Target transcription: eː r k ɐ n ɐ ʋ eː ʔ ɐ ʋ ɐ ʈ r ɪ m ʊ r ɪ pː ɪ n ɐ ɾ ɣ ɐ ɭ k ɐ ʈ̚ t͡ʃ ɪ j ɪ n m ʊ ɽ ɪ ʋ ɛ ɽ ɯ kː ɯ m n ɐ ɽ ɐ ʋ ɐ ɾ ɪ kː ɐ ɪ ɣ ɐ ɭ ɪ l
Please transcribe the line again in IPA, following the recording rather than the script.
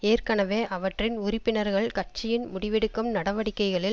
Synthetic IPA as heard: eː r k ɐ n ɐ ʋ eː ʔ ɐ ʋ ɐ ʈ r ɪ n ʊ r ɪ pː ɪ n ɐ ɾ ɣ ɐ ɭ k ɐ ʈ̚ t͡ʃ ɪ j ɪ n m ʊ ɽ ɪ ʋ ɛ ɽ ɯ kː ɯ m n ɐ ɽ ɐ ʋ ɐ ɽ ɪ kː ɐ ɪ ɣ ɐ ɭ ɪ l